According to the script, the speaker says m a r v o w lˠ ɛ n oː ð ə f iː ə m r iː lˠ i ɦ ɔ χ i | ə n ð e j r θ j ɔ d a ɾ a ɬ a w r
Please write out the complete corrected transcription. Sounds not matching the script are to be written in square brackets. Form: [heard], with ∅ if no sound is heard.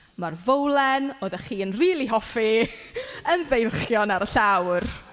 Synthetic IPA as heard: m a r v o w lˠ ɛ n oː ð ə [χ] iː ə [n] r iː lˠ i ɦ ɔ [f] i | ə n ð e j r [χ] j ɔ [n] a ɾ [ə] ɬ a w r

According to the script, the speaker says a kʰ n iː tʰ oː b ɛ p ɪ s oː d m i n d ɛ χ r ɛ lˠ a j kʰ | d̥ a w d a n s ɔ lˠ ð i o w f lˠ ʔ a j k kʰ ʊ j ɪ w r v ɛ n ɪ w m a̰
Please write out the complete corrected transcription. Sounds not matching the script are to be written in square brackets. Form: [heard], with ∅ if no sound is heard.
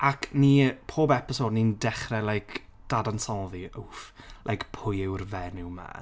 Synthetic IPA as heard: a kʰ n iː [pʰ] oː b ɛ p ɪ s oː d [n] i n d ɛ χ r ɛ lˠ a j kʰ | d̥ a [∅] d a n s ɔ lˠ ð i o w f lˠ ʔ a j k [pʰ] ʊ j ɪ w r v ɛ n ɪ w m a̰

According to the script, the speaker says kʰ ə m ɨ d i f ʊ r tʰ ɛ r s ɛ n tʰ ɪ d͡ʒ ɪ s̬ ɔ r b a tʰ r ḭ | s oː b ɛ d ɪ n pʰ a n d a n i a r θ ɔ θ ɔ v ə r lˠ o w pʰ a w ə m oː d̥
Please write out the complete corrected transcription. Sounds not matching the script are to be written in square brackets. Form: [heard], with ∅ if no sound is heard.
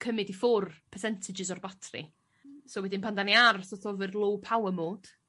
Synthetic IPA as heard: kʰ ə m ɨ d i f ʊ r [pʰ] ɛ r s ɛ n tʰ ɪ d͡ʒ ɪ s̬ ɔ r b a tʰ r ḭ | s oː [w] ɛ d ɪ n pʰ a n d a n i a r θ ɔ θ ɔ v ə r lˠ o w pʰ a w ə m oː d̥

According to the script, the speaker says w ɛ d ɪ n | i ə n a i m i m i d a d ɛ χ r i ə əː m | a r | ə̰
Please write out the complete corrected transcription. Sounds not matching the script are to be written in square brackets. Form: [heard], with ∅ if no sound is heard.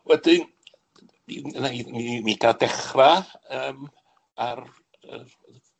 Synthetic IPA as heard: w ɛ d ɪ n | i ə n a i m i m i [ɡ] a d ɛ χ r [a] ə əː m | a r | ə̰

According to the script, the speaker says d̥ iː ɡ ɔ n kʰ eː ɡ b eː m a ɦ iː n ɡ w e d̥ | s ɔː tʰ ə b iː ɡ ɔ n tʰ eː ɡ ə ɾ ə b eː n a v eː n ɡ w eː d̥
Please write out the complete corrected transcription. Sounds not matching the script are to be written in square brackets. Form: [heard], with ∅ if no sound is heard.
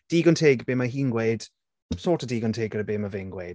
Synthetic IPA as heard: d̥ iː ɡ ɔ n [tʰ] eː ɡ b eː m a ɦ iː n ɡ w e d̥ | s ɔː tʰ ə [d] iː ɡ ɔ n tʰ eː ɡ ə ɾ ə b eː [m] a v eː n ɡ w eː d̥

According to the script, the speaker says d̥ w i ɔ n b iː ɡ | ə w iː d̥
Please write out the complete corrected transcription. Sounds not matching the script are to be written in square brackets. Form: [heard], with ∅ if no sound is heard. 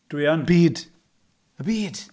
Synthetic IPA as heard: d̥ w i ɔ n b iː [d] | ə [b] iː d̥

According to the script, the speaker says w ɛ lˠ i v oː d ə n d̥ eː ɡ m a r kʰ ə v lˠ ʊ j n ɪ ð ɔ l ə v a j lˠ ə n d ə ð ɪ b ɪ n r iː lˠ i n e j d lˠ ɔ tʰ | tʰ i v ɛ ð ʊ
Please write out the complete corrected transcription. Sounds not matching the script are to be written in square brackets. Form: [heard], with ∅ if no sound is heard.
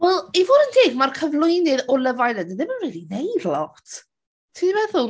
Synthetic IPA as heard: w ɛ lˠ i v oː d ə n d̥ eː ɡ m a r kʰ ə v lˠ ʊ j n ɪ ð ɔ l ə v a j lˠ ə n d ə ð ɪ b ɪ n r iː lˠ i n e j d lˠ ɔ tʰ | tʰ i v ɛ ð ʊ

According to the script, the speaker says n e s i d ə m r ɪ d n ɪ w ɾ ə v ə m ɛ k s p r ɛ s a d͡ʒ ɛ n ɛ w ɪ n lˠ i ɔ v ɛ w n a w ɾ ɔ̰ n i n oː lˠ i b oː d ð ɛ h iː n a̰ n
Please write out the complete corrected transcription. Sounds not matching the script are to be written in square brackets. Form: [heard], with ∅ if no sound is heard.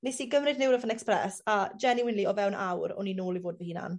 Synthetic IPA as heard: n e s i [ɡ] ə m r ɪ d n ɪ w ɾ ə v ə [n] ɛ k s p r ɛ s a d͡ʒ ɛ n [i] w ɪ n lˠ i ɔ v ɛ w n a w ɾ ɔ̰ n i n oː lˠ i [v] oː d [v] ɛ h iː n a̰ n

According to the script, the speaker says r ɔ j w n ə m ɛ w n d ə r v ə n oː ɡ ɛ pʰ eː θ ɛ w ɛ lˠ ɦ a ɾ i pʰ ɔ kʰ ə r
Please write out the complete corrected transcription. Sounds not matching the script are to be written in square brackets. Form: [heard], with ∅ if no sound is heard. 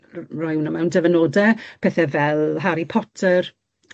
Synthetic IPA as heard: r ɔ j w n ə m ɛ w n d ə [∅] v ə n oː [d] ɛ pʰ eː θ ɛ [v] ɛ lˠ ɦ a ɾ i pʰ ɔ [tʰ] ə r

